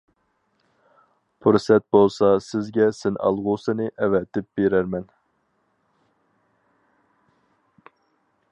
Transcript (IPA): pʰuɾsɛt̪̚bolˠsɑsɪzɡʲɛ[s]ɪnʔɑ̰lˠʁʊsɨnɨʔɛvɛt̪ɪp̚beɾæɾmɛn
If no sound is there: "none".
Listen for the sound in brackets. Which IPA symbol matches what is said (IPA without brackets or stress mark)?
s